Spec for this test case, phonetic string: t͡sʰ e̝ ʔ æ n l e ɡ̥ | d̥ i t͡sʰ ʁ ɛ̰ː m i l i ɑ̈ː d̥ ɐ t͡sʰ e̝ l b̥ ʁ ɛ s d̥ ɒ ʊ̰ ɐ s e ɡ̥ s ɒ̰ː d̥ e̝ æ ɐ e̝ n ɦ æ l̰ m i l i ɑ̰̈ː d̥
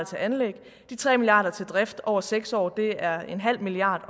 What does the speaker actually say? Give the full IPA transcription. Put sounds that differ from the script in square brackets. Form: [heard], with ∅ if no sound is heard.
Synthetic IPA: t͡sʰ e̝ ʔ æ n l e ɡ̥ | d̥ i t͡sʰ ʁ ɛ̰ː m i l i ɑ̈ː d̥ ɐ t͡sʰ e̝ l [d̥] ʁ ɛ [f] d̥ ɒ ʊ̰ ɐ s e ɡ̥ s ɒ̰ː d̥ e̝ æ ɐ e̝ n ɦ æ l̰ m i l i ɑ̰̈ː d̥